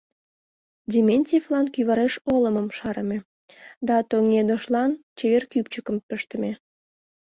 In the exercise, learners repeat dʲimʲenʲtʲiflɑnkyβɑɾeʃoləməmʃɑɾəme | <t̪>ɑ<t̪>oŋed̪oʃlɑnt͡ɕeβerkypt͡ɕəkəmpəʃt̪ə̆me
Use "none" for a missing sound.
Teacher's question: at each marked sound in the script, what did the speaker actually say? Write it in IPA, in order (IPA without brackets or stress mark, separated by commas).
d̪, t̪